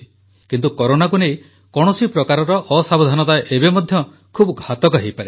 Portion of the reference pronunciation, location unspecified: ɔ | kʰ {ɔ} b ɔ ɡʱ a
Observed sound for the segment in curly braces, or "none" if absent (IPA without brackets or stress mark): u